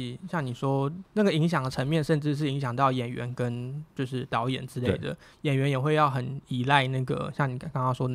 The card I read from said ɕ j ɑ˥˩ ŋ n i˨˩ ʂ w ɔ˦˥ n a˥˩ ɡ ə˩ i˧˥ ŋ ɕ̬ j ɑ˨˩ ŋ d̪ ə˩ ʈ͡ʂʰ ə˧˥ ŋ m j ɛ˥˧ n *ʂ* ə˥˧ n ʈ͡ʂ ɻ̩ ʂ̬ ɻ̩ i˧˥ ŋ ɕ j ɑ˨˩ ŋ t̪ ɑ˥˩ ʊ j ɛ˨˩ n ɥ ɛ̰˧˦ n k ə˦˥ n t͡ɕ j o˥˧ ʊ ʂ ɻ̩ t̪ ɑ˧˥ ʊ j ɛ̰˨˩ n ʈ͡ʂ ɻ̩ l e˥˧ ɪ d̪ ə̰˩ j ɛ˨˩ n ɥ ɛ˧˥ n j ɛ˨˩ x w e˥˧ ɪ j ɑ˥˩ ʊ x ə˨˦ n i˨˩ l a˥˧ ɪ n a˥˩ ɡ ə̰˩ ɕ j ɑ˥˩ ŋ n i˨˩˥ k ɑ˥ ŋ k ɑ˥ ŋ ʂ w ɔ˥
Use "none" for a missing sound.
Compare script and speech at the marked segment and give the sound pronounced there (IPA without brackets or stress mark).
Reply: ʂ